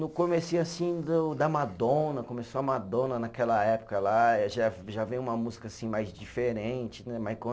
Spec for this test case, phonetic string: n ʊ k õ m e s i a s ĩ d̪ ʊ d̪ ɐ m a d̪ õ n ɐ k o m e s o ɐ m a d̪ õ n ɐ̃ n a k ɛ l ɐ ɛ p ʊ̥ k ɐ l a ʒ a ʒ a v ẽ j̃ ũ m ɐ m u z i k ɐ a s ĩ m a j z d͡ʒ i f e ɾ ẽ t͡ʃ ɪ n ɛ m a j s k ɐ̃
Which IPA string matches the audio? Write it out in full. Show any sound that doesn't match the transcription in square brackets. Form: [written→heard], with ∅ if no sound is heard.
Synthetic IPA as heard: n ʊ k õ m e s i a s ĩ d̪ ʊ d̪ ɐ m a d̪ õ n ɐ k o m e s o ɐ m a d̪ õ n [ɐ̃→ɐ] n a k ɛ l ɐ ɛ p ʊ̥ k ɐ l a ʒ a ʒ a v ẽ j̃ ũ m ɐ m u z i k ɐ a s ĩ m a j z d͡ʒ i f e ɾ ẽ t͡ʃ ɪ n ɛ m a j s k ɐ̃